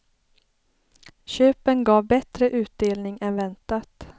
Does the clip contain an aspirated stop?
no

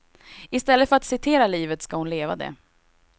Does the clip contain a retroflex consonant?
no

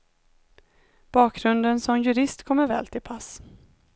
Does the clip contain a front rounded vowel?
no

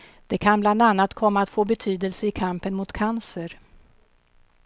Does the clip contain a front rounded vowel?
yes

